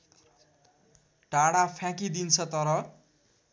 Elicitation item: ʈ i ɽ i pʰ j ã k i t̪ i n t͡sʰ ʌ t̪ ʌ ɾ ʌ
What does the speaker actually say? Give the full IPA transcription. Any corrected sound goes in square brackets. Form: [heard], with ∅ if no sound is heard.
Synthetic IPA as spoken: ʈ [a] ɽ [a] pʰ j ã k i [d̪] i n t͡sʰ ʌ t̪ ʌ ɾ ʌ